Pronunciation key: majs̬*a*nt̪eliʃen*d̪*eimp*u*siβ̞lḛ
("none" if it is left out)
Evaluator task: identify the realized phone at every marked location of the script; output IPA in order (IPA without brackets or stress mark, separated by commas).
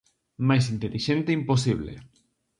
i, t̪, o